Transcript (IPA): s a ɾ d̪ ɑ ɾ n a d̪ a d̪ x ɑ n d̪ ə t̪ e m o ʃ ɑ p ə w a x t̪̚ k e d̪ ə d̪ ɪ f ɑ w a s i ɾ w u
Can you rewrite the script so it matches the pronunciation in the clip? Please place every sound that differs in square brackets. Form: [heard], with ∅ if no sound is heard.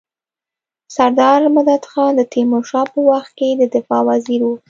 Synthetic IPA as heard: s a ɾ d̪ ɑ ɾ [m] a d̪ a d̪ x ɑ n d̪ ə t̪ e m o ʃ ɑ p ə w a x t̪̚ k e d̪ ə d̪ ɪ f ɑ w a [z] i ɾ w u